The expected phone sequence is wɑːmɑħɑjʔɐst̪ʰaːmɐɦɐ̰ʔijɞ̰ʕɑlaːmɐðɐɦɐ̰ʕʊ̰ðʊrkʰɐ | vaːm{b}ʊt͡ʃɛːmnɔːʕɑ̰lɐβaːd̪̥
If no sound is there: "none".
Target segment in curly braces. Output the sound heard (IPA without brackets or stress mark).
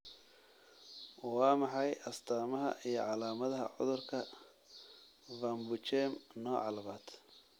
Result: b